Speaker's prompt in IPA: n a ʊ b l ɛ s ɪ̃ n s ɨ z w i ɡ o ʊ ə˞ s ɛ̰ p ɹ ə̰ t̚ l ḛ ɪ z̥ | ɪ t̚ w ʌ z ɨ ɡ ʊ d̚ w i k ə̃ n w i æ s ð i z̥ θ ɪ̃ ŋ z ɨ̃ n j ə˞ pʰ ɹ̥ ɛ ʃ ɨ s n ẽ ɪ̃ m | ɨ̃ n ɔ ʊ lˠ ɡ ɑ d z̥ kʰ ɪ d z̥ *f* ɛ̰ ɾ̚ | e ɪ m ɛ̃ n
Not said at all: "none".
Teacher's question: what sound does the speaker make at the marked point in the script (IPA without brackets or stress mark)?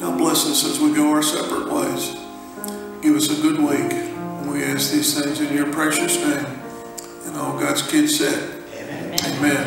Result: s